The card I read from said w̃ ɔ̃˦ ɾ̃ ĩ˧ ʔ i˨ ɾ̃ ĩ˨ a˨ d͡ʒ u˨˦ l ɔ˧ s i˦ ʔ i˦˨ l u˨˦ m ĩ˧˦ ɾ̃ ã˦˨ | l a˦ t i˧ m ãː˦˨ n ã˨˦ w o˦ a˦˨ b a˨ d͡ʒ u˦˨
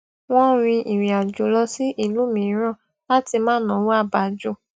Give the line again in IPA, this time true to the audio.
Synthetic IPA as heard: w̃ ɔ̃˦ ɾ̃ ĩ˧ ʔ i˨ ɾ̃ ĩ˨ a˨ d͡ʒ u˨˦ l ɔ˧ s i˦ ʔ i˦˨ l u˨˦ m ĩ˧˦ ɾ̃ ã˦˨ | l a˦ t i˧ m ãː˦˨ n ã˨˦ w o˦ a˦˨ b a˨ d͡ʒ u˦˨

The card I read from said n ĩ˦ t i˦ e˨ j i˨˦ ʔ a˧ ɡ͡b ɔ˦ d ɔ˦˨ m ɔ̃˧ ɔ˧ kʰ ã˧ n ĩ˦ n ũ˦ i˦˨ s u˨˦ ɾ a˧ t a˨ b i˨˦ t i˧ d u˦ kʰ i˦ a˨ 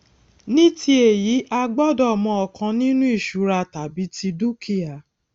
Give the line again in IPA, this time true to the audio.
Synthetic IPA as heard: n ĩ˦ t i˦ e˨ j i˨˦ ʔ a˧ ɡ͡b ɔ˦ d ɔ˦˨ m ɔ̃˧ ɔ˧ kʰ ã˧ n ĩ˦ n ũ˦ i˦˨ ʃ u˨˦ ɾ a˧ t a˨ b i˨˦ t i˧ d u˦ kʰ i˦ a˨

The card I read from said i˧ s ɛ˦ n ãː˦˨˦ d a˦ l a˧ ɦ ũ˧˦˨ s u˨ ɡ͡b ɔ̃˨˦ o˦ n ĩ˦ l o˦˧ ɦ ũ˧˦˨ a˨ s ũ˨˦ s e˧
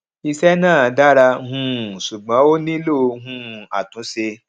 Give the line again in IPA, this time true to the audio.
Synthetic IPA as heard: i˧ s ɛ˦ n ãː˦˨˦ d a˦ ɾ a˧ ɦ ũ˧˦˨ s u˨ ɡ͡b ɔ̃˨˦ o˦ n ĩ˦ l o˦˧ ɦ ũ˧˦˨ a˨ t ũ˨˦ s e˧

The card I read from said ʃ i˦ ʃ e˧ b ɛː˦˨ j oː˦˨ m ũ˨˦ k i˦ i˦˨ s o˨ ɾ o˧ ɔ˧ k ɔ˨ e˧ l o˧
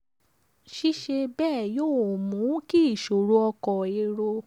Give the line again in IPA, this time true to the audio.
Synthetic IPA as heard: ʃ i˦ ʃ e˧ b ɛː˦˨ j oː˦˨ m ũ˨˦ k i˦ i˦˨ ʃ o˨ ɾ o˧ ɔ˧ k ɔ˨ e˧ ɾ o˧

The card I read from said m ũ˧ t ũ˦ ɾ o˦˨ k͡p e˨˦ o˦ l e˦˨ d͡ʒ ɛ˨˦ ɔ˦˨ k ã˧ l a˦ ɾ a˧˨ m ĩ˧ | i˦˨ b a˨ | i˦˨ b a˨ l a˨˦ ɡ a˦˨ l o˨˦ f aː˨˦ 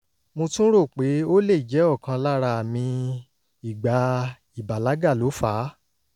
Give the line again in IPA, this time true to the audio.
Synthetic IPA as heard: m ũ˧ t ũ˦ ɾ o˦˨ k͡p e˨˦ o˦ l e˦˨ d͡ʒ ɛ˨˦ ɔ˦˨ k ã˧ l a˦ ɾ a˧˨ m ĩ˧ | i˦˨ ɡ͡b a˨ | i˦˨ b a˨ l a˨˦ ɡ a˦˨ l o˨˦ f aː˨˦

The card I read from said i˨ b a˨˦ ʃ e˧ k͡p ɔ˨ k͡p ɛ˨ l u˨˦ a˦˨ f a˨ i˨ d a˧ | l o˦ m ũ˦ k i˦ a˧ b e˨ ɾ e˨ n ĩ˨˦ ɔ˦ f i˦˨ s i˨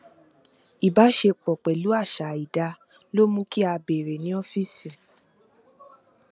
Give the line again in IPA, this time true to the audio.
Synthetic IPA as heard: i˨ b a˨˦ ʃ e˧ k͡p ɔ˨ k͡p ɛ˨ l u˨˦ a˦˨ ʃ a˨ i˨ d a˧ | l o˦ m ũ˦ k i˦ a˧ b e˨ ɾ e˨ n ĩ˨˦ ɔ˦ f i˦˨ s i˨

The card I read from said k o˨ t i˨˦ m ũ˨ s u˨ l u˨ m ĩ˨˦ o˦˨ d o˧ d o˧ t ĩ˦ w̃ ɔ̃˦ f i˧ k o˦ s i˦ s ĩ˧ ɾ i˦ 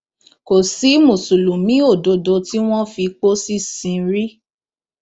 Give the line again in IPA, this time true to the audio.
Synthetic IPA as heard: k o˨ s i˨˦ m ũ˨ s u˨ l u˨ m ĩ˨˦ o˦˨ d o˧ d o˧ t i˦ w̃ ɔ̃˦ f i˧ k͡p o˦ s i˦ s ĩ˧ ɾ i˦

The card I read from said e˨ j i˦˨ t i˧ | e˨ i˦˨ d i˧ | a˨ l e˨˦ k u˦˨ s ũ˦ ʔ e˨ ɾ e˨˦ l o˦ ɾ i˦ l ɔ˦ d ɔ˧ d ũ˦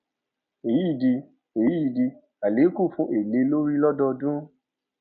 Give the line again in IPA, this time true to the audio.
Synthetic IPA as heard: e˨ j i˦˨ d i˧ | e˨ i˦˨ d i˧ | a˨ l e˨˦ k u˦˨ f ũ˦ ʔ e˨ l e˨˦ l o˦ ɾ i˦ l ɔ˦ d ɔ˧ d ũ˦

